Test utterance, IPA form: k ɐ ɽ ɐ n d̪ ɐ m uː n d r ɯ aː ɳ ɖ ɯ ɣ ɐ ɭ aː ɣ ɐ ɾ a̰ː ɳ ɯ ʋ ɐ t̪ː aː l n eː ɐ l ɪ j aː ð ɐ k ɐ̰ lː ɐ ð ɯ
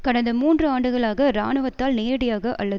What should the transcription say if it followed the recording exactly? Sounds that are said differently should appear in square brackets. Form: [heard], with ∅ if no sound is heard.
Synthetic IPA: k ɐ ɽ ɐ n d̪ ɐ m uː n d r ɯ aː ɳ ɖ ɯ ɣ ɐ ɭ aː ɣ ɐ ɾ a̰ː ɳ ɯ ʋ ɐ t̪ː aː l n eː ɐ [ɽ] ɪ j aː [ɣ] ɐ [ʔ] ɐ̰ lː ɐ ð ɯ